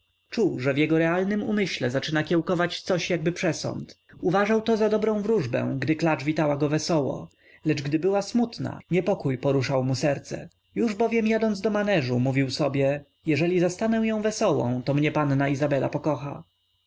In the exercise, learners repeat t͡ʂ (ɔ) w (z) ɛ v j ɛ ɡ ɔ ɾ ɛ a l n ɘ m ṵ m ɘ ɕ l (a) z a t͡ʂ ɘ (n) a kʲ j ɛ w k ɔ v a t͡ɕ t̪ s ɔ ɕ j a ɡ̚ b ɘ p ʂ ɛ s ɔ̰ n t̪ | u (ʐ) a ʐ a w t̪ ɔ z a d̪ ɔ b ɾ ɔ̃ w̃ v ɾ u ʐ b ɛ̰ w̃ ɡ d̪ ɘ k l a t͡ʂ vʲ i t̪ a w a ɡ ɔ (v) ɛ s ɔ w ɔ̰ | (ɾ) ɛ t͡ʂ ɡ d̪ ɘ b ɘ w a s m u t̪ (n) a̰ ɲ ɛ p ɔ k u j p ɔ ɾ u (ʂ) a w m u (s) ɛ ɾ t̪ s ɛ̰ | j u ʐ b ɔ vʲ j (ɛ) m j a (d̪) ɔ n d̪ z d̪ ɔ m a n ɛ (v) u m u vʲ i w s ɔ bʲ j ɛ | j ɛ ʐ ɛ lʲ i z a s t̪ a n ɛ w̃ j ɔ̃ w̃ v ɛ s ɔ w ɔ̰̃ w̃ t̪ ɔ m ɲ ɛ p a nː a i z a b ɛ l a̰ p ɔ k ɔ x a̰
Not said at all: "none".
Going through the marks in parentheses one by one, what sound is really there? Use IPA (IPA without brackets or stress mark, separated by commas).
u, ʐ, ɛ, n, v, v, l, n, ʂ, s, ɛ, d̪, ʐ